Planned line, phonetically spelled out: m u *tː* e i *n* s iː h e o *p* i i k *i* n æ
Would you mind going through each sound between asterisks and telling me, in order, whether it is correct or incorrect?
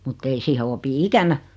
correct, incorrect, correct, incorrect

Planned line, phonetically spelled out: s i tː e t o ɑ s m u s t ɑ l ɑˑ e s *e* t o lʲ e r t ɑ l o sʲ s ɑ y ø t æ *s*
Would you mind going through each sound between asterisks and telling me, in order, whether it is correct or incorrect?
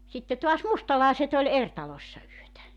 correct, incorrect

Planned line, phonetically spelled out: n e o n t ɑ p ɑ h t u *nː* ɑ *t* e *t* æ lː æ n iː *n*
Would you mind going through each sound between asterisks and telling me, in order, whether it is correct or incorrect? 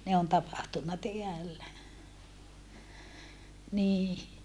correct, correct, incorrect, incorrect

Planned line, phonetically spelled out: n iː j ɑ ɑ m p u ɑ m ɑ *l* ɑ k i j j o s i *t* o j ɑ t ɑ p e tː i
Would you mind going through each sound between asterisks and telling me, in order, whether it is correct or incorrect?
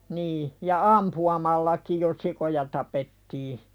incorrect, incorrect

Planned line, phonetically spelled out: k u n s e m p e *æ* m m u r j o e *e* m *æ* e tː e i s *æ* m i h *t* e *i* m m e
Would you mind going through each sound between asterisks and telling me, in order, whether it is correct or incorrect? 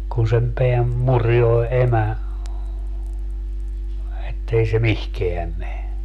correct, correct, correct, incorrect, incorrect, incorrect

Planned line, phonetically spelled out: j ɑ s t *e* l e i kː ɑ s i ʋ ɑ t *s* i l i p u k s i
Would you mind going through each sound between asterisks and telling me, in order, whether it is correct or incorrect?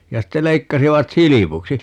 correct, correct

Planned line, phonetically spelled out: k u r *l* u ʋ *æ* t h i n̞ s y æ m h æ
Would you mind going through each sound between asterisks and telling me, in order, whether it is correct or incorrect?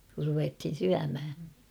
incorrect, incorrect

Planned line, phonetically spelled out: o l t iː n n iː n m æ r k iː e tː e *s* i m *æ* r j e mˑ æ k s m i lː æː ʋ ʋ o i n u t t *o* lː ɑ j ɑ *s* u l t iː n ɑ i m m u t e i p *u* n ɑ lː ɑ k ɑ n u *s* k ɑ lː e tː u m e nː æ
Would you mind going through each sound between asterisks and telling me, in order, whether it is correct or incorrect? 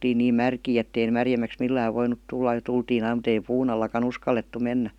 incorrect, correct, incorrect, incorrect, incorrect, correct

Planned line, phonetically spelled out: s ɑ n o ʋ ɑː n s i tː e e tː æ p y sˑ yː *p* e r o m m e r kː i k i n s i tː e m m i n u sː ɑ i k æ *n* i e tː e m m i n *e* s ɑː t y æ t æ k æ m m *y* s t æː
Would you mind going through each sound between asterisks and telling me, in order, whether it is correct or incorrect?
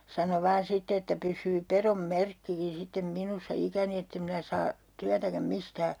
correct, correct, incorrect, incorrect

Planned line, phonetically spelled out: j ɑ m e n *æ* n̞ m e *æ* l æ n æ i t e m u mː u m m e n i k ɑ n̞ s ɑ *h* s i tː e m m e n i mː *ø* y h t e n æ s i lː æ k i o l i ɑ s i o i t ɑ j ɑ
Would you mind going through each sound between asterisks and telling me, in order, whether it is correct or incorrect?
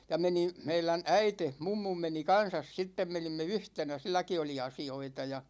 incorrect, incorrect, incorrect, incorrect

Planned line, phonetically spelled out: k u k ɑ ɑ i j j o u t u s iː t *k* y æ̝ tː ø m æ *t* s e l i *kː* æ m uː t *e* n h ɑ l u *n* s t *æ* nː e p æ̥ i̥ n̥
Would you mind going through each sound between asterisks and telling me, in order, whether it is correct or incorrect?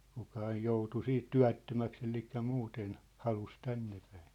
incorrect, incorrect, correct, correct, incorrect, correct

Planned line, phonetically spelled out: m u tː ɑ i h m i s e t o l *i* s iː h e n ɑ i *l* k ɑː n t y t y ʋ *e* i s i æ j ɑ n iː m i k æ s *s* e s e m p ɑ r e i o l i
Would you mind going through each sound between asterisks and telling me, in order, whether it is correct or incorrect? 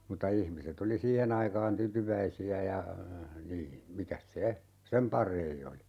correct, incorrect, incorrect, correct

